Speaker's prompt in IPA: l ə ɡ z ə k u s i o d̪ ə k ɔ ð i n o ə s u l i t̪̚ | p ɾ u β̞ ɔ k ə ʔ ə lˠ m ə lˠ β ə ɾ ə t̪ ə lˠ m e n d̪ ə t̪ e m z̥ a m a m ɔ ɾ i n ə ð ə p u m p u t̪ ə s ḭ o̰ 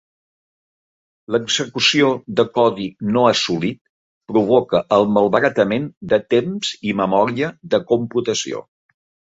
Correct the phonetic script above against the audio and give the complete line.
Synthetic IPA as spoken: l ə ɡ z ə k u s i o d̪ ə k ɔ ð i n o ə s u l i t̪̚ | p ɾ u β̞ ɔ k ə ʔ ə lˠ m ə lˠ β ə ɾ ə t̪ ə m e n d̪ ə t̪ e m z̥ i m ə m ɔ ɾ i ə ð ə k u m p u t̪ ə s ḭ o̰

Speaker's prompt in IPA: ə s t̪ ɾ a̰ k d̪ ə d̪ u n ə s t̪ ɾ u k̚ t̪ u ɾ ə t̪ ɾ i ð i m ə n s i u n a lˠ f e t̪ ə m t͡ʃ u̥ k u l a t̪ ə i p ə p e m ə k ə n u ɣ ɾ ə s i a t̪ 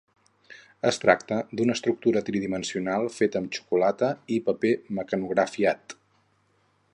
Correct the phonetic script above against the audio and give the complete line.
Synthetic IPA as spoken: ə s t̪ ɾ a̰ k t̪ ə d̪ u n ə s t̪ ɾ u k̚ t̪ u ɾ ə t̪ ɾ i ð i m ə n s i u n a lˠ f e t̪ ə m t͡ʃ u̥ k u l a t̪ ə i p ə p e m ə k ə n u ɣ ɾ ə f i a t̪

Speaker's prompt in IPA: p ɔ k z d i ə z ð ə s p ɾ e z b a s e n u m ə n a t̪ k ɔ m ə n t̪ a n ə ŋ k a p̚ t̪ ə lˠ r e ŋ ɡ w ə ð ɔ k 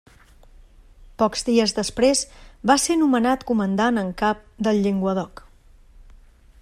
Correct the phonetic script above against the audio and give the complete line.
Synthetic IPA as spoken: p ɔ k z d i ə z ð ə s p ɾ e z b a s e n u m ə n a t̪ k u m ə n d̪ a n ə ŋ k a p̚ d̪ ə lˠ ʎ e ŋ ɡ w ə ð ɔ k

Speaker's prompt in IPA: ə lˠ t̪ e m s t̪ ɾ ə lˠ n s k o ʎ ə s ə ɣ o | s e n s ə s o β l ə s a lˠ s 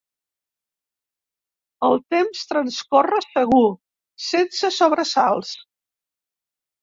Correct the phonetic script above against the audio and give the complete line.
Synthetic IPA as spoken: ə lˠ t̪ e m s t̪ ɾ ə n s k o r ə s ə ɣ u | s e n s ə s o β ɾ ə s a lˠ s

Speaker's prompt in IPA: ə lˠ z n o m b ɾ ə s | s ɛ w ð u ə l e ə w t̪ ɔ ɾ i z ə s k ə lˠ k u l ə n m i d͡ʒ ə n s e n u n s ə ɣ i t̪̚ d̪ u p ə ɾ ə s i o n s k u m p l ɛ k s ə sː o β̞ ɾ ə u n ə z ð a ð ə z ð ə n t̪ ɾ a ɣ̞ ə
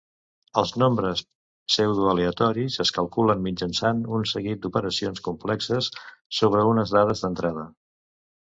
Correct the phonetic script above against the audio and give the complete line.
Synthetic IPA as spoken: ə lˠ z n o m b ɾ ə s | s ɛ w ð u ə l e ə t̪ ɔ ɾ i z ə s k ə lˠ k u l ə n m i d͡ʒ ə n s a n u n s ə ɣ i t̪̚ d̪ u p ə ɾ ə s i o n s k u m p l ɛ k s ə sː o β̞ ɾ ə u n ə z ð a ð ə z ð ə n t̪ ɾ a ð̞ ə

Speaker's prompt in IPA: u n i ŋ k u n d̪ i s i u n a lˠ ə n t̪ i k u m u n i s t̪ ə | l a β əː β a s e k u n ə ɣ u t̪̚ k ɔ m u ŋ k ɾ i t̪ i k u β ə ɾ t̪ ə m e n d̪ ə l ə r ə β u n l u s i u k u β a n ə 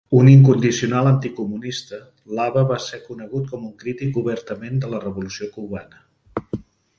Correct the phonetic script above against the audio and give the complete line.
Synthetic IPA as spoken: u n i ŋ k u n d̪ i s i u n a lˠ ə n t̪ i k u m u n i s t̪ ə | l a β ə β a s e k u n ə ɣ u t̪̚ k ɔ m u ŋ k ɾ i t̪ i k u β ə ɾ t̪ ə m e n d̪ ə l ə r ə β u l u s i o k u β a n ə

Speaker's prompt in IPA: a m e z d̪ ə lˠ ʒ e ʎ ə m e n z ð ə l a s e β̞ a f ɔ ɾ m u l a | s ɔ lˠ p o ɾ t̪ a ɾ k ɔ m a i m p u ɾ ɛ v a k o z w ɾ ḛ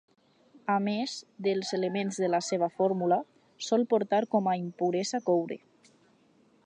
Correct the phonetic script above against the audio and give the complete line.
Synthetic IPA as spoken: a m e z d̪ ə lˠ z e l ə m e n z ð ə l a s e β̞ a f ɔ ɾ m u l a | s ɔ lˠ p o ɾ t̪ a ɾ k ɔ m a i m p u ɾ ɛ z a k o w ɾ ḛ

